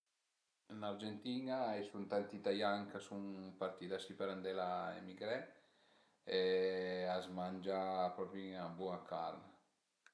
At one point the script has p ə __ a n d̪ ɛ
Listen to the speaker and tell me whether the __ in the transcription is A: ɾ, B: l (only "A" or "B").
A